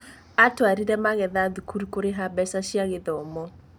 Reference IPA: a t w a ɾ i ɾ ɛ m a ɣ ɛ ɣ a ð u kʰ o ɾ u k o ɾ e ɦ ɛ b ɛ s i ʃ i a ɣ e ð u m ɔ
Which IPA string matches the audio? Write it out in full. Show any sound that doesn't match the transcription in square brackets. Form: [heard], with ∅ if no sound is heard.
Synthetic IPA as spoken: a t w a ɾ i ɾ ɛ m a ɣ ɛ [ð] a ð u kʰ [u] ɾ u k o ɾ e ɦ [a] b ɛ s [a] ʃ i a ɣ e ð [ɔ] m ɔ